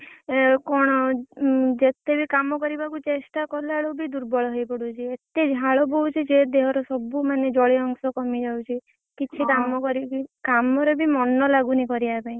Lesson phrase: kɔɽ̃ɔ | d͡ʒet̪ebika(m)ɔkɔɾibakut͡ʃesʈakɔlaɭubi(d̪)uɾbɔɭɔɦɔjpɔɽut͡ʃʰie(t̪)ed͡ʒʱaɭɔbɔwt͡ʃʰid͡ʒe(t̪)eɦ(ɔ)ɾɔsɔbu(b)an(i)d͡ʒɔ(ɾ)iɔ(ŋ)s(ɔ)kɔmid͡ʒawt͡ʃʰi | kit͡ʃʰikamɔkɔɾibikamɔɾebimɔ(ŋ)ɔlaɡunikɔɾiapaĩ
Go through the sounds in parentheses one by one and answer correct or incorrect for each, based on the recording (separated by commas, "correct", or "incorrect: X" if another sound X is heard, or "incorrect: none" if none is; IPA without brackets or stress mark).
correct, correct, correct, incorrect: d̪, correct, incorrect: m, incorrect: e, incorrect: ɭ, correct, correct, incorrect: n